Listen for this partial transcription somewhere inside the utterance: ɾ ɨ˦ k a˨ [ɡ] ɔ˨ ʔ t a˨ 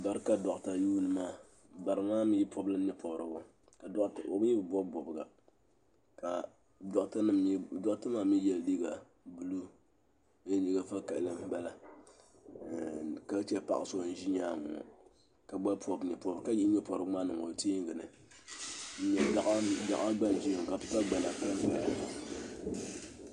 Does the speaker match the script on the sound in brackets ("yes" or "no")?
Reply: no